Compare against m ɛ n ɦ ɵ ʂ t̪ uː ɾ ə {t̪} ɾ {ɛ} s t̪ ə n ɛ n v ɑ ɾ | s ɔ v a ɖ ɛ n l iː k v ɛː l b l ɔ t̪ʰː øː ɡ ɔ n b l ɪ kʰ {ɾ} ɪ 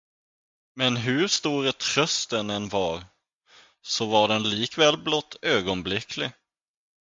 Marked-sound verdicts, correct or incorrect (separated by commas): incorrect, incorrect, incorrect